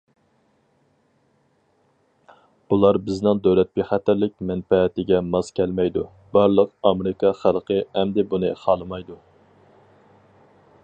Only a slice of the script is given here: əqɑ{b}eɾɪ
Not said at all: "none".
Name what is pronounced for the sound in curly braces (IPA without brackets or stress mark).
m